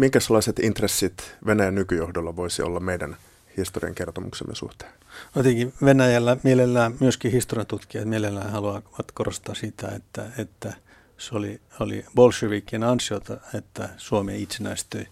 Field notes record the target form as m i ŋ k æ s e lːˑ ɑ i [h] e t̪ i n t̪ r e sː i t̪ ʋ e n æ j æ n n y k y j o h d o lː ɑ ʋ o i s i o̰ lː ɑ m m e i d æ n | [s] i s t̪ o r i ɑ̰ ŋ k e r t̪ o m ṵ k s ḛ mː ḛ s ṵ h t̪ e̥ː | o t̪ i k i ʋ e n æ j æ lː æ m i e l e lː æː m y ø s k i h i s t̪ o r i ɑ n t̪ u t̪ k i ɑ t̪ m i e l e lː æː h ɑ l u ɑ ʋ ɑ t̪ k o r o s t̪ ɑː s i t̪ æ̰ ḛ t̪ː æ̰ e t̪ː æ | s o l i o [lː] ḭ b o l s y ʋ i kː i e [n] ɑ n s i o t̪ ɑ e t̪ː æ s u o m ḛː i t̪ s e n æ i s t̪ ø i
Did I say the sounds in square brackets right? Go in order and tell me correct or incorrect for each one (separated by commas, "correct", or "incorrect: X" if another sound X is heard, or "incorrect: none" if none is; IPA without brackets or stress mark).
incorrect: s, incorrect: h, incorrect: l, correct